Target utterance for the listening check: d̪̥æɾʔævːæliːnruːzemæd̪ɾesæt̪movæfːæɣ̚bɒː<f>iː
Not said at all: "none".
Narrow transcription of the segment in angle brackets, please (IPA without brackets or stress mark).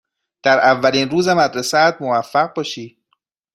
ʃ